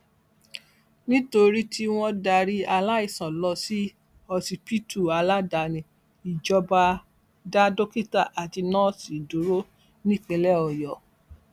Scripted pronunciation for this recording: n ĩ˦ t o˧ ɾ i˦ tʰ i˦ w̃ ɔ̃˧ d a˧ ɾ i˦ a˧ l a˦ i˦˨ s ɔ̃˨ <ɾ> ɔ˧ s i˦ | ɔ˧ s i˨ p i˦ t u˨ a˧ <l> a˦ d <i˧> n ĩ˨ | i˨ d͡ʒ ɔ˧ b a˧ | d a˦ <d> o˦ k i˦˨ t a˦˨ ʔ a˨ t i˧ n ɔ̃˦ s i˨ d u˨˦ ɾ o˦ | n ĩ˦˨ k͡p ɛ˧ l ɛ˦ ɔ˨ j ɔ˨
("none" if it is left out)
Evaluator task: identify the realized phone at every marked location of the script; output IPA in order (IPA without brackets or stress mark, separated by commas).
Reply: l, l, a˧, d